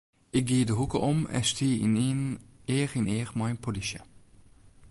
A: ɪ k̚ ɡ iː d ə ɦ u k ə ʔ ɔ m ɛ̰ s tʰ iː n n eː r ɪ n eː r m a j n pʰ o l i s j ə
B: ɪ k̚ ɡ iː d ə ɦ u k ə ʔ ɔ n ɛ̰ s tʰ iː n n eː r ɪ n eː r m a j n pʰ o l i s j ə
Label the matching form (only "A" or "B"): A